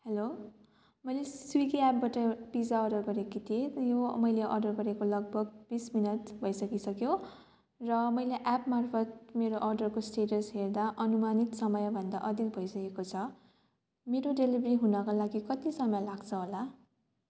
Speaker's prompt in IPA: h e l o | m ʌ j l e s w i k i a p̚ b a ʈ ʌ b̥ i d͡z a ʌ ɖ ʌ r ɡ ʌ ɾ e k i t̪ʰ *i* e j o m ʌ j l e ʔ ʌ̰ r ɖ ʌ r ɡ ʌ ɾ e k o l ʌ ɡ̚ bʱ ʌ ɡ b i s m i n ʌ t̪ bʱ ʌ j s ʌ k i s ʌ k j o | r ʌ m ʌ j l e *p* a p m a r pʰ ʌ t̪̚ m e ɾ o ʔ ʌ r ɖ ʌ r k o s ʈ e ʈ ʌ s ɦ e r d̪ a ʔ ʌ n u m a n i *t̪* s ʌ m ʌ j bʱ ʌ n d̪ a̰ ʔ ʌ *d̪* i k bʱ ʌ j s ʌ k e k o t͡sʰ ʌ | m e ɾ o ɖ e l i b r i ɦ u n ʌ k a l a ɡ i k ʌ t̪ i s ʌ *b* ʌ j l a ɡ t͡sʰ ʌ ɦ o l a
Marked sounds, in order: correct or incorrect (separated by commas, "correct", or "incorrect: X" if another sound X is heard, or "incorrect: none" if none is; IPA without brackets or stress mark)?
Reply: correct, incorrect: ʔ, correct, correct, incorrect: m